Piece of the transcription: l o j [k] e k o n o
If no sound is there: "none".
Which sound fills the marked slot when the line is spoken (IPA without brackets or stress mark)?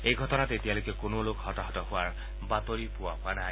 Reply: k